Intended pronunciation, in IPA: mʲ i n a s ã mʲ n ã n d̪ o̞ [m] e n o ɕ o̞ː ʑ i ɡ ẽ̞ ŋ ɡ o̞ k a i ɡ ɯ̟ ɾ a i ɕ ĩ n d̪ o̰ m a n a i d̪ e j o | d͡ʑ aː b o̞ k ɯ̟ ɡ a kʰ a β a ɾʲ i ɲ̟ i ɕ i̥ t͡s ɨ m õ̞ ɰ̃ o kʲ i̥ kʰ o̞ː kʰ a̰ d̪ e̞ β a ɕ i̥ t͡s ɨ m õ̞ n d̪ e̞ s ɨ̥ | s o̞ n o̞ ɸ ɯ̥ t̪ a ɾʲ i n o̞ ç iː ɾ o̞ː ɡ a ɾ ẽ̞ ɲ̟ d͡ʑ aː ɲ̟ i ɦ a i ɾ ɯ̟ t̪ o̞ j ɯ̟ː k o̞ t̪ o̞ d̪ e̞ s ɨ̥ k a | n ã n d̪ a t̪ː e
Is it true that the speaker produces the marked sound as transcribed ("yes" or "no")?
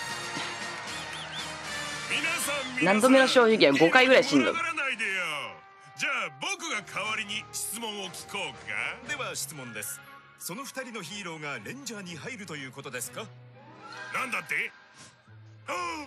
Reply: yes